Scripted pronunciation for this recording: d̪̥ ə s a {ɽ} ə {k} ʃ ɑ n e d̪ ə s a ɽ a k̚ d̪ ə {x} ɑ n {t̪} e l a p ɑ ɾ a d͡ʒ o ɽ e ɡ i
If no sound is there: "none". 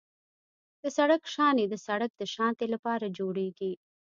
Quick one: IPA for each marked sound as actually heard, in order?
ɽ, k, ʃ, t̪

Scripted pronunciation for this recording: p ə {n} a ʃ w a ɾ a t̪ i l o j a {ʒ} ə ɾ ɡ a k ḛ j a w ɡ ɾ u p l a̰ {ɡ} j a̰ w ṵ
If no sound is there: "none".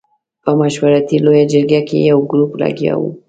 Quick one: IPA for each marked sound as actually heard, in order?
m, d͡ʒ, ɡ

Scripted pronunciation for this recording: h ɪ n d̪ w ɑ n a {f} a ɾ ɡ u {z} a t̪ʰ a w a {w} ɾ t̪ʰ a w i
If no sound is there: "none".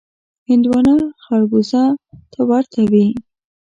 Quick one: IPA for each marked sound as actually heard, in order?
x, z, none

